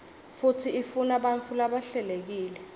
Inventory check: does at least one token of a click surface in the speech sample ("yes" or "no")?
no